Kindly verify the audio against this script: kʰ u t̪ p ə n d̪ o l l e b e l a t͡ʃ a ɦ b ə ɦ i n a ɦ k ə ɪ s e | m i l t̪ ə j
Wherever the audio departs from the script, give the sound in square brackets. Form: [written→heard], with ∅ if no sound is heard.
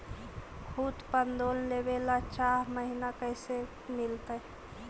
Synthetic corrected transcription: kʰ u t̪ p ə n d̪ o l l e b e l a t͡ʃ a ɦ [b→m] ə ɦ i n a [ɦ→∅] k ə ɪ s e | m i l t̪ ə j